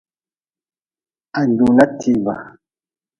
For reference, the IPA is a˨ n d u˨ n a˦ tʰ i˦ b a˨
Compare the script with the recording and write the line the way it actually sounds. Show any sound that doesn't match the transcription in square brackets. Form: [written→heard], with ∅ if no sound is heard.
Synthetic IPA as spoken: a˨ n d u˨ n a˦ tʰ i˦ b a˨

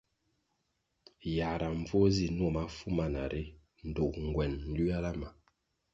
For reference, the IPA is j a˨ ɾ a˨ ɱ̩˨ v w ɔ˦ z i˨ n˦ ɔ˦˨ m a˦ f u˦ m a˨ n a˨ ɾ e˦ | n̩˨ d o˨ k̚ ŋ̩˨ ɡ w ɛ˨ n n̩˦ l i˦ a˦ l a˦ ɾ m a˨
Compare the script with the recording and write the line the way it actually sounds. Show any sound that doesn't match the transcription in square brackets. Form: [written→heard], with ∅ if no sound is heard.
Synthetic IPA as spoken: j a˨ ɾ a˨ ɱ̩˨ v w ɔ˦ z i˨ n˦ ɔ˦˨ m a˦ f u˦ m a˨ n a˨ ɾ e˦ | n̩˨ d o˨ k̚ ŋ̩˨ ɡ w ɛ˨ n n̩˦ l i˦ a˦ l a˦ [ɾ→∅] m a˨

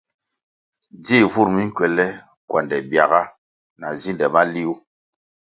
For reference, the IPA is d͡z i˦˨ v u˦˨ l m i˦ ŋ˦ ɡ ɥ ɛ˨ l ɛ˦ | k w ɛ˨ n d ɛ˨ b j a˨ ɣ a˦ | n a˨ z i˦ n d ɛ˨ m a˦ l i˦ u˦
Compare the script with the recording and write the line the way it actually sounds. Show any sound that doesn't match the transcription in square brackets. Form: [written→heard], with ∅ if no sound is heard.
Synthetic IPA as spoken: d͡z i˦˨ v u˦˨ [l→ɾ] m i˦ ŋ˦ [ɡ→k] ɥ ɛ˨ l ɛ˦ | k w [ɛ˨→a˨] n d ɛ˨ b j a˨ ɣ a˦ | n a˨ z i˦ n d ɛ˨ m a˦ l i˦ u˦

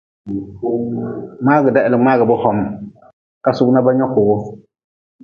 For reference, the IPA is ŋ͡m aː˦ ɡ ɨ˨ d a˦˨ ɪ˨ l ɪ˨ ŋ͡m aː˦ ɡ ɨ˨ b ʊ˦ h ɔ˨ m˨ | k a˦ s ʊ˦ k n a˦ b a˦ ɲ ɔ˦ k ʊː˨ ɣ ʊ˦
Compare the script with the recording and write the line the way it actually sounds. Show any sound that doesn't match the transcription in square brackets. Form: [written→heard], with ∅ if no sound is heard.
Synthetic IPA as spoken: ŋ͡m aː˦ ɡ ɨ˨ d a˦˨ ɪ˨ l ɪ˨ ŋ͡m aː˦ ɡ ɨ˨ b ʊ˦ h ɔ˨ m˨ | k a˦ s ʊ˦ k n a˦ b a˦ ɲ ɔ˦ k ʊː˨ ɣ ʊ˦

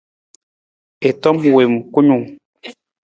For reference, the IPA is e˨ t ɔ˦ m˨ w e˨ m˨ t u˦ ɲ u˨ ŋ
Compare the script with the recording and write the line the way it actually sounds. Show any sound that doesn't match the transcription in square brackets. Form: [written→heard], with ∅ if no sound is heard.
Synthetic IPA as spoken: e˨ t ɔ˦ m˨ w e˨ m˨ [t→k] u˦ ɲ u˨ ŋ

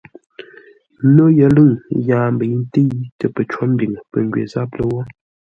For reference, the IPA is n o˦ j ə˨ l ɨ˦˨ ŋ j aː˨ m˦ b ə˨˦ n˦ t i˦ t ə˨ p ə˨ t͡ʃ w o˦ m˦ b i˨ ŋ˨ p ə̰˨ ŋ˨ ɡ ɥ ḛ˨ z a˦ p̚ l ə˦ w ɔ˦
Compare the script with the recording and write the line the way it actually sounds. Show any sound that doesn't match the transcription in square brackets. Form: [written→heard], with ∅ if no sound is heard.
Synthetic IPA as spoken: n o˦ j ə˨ l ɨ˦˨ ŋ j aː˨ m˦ b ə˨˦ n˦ t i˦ t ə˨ p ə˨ t͡ʃ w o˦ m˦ b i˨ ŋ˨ p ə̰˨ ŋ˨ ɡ ɥ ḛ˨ z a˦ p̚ l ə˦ w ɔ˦

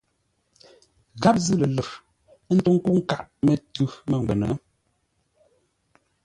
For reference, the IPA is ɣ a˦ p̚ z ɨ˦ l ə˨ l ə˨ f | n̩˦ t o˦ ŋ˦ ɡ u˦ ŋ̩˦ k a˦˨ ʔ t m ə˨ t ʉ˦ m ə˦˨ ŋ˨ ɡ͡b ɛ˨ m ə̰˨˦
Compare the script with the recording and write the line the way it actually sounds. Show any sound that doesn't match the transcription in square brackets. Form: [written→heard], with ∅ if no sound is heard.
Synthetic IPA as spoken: ɣ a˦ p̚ z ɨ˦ l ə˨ l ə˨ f | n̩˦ t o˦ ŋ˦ [ɡ→k] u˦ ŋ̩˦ k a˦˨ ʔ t m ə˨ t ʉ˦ m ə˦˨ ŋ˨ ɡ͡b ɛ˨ [m→n] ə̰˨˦

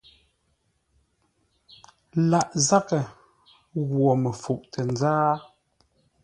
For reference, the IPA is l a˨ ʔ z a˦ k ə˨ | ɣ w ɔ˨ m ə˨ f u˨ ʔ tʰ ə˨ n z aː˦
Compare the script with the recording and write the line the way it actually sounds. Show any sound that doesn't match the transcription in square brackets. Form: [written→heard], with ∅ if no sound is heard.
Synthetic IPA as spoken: l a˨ ʔ z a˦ k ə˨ | ɣ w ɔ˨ m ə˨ f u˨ ʔ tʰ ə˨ n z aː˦

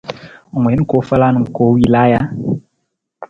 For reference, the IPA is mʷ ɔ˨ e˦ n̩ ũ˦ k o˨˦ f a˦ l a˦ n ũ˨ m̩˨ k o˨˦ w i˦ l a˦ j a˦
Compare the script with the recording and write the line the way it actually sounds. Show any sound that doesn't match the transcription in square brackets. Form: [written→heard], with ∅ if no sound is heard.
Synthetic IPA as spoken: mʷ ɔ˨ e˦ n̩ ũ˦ k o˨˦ f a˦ l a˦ n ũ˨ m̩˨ k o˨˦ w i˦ l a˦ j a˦

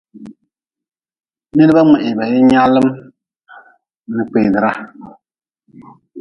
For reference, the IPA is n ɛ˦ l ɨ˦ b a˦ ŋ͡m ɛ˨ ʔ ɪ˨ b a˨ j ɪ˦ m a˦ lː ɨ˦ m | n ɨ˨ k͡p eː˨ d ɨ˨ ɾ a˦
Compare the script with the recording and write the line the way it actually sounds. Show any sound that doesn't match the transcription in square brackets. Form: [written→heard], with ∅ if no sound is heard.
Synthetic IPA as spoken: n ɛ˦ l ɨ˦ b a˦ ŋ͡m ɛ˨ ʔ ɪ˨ b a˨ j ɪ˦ [m→ɲ] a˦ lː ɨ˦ m | n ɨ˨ k͡p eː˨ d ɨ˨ ɾ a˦

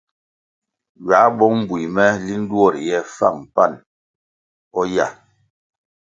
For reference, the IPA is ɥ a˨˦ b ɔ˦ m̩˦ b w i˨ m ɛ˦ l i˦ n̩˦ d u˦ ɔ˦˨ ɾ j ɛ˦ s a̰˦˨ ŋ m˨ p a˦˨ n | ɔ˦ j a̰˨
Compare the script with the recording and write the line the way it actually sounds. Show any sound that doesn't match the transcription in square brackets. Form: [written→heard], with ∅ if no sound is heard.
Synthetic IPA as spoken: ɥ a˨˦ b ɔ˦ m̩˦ b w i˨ m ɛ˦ l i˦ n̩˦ d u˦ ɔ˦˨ ɾ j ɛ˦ [s→f] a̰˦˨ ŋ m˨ p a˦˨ n | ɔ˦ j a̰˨

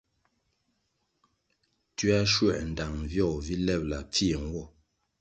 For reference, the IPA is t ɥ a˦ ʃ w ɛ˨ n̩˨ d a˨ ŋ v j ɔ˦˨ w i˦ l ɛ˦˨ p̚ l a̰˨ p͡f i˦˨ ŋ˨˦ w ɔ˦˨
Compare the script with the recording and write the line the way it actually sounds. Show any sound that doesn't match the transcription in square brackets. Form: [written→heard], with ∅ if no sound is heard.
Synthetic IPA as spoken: t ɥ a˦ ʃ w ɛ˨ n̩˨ d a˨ ŋ v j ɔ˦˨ [w→v] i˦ l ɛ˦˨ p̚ l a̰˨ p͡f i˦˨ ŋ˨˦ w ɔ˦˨

